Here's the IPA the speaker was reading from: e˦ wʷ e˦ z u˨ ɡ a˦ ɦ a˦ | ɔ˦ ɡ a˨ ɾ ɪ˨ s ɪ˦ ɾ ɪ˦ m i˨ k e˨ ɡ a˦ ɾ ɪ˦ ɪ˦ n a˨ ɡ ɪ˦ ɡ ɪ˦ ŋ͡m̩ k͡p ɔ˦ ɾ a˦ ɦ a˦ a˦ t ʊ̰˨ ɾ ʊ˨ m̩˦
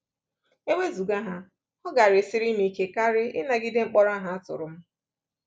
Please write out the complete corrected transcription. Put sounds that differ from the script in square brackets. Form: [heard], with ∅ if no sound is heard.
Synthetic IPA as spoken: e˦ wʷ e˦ z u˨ ɡ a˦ ɦ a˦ | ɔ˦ ɡ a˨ ɾ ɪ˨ s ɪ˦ ɾ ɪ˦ m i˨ k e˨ [k] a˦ ɾ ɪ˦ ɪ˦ n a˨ ɡ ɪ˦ [d] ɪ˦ ŋ͡m̩ k͡p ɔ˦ ɾ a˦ ɦ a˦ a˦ t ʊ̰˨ ɾ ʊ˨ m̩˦